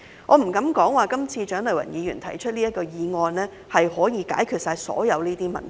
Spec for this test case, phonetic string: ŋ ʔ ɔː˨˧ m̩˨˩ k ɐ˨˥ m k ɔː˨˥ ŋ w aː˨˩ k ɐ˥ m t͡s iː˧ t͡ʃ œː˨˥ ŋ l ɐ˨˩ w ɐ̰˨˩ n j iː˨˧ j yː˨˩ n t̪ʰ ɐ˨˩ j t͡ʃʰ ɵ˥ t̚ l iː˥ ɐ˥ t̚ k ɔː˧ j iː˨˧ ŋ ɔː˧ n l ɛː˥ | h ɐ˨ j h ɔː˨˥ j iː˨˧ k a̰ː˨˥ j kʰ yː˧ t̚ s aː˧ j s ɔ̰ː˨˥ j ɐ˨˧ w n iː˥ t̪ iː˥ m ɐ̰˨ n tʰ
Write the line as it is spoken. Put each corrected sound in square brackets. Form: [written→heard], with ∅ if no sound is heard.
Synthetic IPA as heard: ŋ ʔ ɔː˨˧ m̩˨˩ k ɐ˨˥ m k ɔː˨˥ ŋ w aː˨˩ k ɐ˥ m [t͡s→t͡sʰ] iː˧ t͡ʃ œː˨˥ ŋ l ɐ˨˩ w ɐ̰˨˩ n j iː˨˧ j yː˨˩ n t̪ʰ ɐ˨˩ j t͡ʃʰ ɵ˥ t̚ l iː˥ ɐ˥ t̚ k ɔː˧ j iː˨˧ ŋ ɔː˧ n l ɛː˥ | h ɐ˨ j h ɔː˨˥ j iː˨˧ k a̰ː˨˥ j kʰ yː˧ t̚ s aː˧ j s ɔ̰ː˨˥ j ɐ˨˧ w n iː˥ t̪ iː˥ m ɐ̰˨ n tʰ